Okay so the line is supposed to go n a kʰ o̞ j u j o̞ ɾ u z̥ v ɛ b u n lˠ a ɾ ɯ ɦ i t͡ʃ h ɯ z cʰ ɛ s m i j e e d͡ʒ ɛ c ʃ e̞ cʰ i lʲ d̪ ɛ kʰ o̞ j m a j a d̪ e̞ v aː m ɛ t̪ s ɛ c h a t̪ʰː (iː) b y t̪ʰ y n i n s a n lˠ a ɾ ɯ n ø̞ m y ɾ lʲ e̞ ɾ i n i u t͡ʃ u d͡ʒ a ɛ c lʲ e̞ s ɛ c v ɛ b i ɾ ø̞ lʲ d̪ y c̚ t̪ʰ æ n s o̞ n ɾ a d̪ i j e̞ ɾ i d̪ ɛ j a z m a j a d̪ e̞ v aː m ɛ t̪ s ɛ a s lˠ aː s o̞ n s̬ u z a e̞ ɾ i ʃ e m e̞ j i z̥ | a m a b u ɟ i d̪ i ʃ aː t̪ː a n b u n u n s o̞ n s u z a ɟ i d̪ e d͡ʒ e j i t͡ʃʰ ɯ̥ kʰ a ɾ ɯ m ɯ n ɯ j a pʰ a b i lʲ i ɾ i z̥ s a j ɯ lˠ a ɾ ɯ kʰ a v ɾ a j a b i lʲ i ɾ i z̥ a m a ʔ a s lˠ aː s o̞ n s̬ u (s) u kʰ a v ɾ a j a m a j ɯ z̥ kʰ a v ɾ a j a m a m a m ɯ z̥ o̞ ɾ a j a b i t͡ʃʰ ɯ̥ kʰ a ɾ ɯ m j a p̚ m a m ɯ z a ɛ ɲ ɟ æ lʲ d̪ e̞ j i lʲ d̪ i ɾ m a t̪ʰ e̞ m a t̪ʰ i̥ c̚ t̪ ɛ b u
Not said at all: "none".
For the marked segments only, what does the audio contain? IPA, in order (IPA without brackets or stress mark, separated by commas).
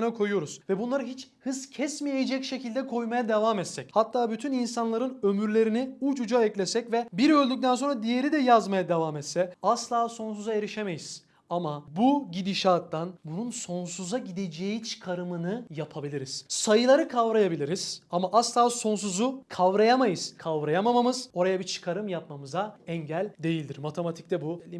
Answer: aː, z